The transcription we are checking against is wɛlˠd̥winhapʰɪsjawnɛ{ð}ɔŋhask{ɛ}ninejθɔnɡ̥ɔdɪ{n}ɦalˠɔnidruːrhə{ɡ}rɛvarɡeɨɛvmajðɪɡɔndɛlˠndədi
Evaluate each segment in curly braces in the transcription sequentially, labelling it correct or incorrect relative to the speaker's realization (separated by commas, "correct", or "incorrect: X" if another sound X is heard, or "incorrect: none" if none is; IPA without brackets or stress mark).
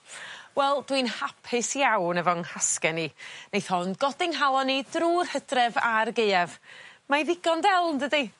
incorrect: v, correct, incorrect: ŋ, incorrect: d